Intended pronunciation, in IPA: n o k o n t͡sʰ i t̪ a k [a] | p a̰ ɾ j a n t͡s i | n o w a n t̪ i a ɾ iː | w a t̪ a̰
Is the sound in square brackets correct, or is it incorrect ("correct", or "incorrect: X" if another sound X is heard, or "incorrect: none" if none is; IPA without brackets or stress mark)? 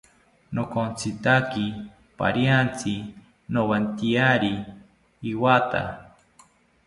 incorrect: i